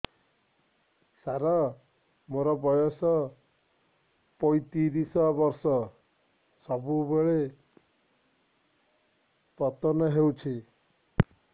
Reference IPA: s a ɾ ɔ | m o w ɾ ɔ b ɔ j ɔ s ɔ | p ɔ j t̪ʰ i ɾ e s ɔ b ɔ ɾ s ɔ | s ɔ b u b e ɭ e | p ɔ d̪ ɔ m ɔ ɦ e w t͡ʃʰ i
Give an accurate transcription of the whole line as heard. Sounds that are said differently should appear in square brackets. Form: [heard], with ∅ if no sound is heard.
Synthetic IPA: s a ɾ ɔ | m o [∅] ɾ ɔ b ɔ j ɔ s ɔ | p ɔ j [t̪] i ɾ [i] s ɔ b ɔ ɾ s ɔ | s ɔ b u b e ɭ e | p ɔ [t̪] ɔ [n] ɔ ɦ e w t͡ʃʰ i